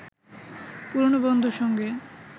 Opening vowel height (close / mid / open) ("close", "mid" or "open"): close